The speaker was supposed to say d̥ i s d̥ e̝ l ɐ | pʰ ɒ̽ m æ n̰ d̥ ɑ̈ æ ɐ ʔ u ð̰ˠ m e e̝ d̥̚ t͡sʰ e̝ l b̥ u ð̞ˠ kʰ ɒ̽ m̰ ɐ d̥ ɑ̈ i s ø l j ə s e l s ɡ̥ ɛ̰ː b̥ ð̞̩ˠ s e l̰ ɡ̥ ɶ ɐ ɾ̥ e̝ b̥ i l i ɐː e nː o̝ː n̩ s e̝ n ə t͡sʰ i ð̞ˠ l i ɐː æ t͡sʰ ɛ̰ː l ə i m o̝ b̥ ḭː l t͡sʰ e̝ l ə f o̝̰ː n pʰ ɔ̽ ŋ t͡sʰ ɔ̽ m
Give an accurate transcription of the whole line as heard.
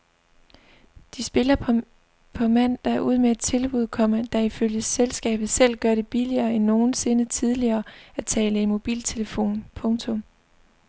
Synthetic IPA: d̥ i s b̥ e̝ l ɐ | pʰ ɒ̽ m æ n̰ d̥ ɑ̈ æ ɐ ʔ u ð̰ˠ m e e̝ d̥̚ t͡sʰ e̝ l b̥ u ð̞ˠ kʰ ɒ̽ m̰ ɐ d̥ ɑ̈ i f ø l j ə s e l s ɡ̥ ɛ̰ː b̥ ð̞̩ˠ s e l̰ ɡ̥ ɶ ɐ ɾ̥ e̝ b̥ i l i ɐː e nː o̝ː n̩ s e̝ n ə t͡sʰ i ð̞ˠ l i ɐː æ t͡sʰ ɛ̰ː l ə i m o̝ b̥ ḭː l t͡sʰ e̝ l ə f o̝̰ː n pʰ ɔ̽ ŋ t͡sʰ ɔ̽ m